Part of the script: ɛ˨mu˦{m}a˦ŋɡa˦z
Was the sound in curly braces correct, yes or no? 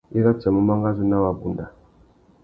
yes